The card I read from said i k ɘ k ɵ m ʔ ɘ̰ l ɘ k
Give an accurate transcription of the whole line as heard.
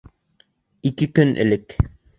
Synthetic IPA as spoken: i k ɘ k ɵ n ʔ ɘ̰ l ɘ k